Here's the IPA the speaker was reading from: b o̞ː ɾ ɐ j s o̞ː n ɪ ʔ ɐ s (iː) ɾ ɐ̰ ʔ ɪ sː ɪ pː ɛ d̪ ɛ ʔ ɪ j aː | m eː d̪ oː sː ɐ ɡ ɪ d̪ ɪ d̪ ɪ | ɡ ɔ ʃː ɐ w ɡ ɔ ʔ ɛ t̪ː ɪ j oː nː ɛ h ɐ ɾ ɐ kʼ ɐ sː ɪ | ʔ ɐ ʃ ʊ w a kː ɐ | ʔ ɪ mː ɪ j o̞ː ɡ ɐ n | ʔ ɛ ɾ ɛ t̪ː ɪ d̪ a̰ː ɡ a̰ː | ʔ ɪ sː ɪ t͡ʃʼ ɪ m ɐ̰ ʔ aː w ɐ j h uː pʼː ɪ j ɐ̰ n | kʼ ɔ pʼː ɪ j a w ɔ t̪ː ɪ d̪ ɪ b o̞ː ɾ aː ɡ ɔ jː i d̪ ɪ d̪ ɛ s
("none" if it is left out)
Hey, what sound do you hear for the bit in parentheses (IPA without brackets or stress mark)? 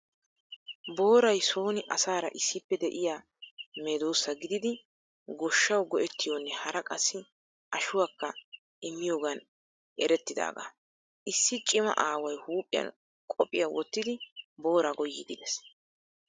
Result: aː